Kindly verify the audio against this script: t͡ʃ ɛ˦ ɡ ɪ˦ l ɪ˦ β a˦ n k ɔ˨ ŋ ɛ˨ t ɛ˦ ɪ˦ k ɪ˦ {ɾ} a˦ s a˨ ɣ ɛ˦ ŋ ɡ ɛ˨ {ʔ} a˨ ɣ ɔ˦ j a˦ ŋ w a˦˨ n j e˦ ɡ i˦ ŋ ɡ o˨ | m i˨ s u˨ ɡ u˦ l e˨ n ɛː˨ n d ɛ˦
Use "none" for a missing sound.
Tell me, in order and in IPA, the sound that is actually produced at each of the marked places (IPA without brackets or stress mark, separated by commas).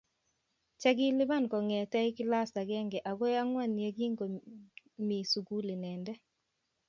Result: l, ʔ